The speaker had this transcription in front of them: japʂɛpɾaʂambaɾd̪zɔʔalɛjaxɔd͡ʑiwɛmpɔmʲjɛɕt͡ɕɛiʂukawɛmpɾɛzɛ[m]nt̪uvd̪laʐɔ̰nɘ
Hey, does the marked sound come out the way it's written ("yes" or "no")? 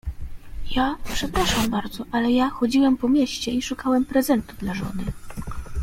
no